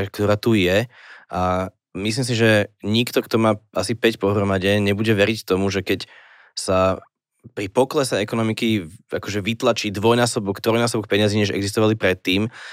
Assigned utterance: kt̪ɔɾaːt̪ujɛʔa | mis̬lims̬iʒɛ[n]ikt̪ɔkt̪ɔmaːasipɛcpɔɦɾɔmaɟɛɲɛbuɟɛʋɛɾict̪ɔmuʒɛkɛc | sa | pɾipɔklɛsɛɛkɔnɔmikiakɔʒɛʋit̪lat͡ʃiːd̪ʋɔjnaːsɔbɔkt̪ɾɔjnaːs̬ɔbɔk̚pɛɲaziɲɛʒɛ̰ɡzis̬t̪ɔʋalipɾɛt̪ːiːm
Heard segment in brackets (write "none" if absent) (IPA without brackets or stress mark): ɲ